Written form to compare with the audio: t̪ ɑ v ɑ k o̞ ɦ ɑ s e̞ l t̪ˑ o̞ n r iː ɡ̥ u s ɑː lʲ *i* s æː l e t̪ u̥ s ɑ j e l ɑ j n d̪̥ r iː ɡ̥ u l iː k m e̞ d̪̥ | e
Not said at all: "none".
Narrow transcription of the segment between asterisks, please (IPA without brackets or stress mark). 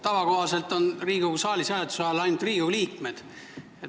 i